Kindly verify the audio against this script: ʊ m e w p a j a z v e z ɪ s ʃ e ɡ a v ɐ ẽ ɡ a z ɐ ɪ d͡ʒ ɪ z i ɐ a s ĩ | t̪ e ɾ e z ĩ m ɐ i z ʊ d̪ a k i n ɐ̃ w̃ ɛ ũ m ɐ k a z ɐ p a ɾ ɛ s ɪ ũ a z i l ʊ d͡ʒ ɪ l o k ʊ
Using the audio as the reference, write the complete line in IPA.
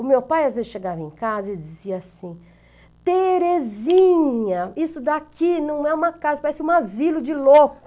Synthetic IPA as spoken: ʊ m e w p a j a z v e z ɪ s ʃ e ɡ a v ɐ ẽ k a z ɐ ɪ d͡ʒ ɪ z i ɐ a s ĩ | t̪ e ɾ e z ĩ ɲ ɐ i s ʊ d̪ a k i n ɐ̃ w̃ ɛ ũ m ɐ k a z ɐ p a ɾ ɛ s ɪ ũ a z i l ʊ d͡ʒ ɪ l o k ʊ